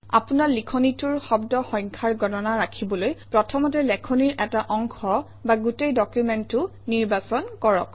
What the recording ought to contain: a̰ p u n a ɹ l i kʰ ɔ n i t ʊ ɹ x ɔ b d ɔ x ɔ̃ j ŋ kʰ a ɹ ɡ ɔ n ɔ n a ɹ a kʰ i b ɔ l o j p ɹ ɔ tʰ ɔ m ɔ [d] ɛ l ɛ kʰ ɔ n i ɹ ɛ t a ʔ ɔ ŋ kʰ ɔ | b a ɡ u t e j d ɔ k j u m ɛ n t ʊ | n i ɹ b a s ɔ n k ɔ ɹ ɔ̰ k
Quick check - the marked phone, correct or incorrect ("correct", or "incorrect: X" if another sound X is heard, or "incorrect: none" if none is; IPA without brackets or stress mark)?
incorrect: t